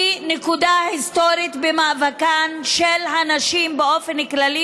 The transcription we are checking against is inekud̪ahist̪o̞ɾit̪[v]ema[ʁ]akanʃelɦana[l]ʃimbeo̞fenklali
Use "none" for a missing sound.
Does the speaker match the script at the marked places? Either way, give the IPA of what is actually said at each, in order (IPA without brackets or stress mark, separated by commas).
b, v, none